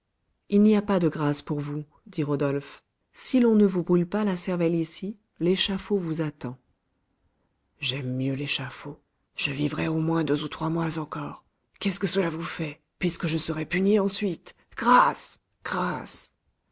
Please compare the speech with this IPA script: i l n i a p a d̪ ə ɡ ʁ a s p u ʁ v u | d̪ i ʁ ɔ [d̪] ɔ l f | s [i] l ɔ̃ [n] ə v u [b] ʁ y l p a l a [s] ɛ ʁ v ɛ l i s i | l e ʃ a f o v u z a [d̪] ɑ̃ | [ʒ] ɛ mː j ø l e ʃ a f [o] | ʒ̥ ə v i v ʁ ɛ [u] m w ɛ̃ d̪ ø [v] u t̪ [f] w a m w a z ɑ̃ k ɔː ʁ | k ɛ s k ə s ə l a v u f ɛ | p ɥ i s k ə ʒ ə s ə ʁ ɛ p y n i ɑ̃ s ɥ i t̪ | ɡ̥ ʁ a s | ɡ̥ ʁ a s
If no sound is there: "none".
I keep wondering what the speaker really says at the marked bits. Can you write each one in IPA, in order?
d̪, i, n, b, s, t̪, ʒ, o, o, z, χ

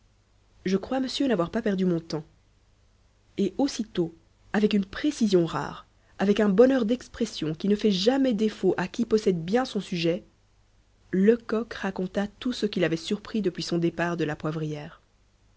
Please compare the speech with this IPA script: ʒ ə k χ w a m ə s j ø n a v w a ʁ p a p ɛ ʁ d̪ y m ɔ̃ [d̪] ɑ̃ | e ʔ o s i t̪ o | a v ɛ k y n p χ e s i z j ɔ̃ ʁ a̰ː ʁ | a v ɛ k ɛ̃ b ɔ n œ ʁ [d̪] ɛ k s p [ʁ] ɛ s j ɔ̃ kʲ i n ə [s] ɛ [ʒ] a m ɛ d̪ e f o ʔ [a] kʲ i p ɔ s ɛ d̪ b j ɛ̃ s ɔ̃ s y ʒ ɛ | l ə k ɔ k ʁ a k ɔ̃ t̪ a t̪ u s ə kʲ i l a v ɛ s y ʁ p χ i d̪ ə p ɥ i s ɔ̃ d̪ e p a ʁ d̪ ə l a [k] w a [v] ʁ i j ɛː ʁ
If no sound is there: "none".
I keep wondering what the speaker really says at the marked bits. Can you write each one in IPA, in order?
t̪, d̪, χ, f, ʒ, a, p, v

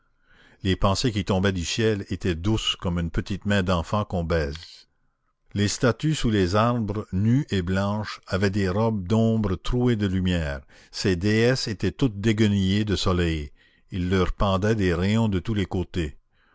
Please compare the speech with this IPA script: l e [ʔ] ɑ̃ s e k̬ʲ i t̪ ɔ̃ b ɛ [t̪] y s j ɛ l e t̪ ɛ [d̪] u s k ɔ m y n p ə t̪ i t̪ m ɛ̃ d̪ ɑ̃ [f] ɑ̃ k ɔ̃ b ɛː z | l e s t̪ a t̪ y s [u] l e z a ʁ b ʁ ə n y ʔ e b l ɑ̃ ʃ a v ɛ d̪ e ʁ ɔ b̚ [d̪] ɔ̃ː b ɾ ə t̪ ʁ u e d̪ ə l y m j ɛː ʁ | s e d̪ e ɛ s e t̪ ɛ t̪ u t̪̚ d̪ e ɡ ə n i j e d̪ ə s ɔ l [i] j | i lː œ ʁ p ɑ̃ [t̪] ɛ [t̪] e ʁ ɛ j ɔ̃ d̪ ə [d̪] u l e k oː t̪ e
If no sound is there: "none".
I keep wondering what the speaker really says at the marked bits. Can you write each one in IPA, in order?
p, d̪, d̪, f, u, d̪, ɛ, d̪, d̪, t̪

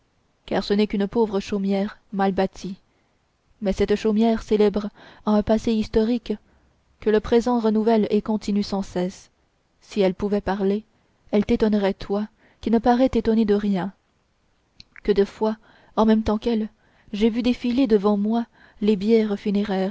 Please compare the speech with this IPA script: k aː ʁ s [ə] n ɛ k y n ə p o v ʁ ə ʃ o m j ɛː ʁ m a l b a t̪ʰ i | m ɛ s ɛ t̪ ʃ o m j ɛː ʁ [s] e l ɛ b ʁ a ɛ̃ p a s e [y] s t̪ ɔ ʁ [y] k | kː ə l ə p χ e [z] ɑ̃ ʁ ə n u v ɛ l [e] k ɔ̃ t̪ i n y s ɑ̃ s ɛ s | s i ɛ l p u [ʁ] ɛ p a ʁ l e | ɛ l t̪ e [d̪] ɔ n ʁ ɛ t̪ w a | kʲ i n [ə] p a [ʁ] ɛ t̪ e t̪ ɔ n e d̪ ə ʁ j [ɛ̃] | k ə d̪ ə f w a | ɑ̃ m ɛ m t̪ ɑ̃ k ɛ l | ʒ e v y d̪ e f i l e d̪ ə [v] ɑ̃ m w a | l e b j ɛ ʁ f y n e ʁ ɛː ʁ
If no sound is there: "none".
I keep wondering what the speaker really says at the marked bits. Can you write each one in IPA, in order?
ə, s, i, i, z, e, v, t̪, ə, ʁ, ɛ̃, v

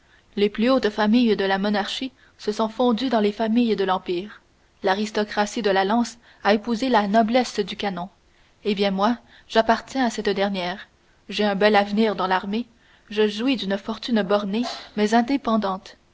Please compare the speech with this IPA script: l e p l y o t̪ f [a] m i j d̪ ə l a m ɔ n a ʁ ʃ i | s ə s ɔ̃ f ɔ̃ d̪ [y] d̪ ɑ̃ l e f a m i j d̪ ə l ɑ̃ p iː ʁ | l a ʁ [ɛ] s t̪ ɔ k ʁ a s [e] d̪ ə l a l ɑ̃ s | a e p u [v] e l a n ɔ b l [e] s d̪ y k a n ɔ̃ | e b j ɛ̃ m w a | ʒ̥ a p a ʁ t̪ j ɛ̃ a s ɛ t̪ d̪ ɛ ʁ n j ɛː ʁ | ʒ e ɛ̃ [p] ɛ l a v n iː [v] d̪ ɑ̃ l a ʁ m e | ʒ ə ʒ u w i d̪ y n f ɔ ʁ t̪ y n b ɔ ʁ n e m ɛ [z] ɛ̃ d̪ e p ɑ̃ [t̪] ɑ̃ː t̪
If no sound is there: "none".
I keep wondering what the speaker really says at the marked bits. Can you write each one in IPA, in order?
a, y, i, i, z, ɛ, b, ʁ, z, d̪

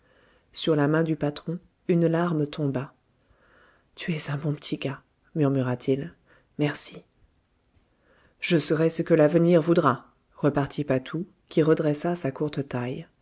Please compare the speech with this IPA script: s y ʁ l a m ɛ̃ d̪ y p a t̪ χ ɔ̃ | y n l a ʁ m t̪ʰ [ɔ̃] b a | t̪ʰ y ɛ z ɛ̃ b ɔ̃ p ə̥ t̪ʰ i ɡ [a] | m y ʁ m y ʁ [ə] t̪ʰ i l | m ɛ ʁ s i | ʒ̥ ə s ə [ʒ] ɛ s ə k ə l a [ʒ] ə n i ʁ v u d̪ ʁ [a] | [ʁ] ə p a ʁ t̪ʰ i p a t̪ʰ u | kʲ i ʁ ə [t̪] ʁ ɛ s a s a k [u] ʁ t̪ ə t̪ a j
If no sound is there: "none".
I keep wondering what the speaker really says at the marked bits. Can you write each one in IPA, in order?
ɔ̃, a, a, ʁ, v, a, ʁ, d̪, u

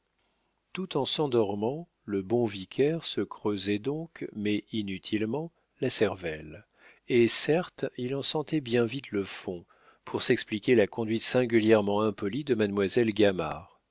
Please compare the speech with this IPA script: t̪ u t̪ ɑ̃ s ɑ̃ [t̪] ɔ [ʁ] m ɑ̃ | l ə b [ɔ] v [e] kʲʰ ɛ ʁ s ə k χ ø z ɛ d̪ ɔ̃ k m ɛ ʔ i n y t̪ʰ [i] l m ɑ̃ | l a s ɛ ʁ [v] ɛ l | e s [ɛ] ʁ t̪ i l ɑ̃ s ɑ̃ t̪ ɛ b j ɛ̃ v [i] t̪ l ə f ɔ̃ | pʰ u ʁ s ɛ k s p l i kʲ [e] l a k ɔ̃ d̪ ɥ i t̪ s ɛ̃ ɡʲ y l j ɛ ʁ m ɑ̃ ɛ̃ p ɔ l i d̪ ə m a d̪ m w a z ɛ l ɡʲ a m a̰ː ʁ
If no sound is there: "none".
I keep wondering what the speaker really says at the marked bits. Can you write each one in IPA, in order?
d̪, ʁ, ɔ̃, i, i, v, ɛ, i, e

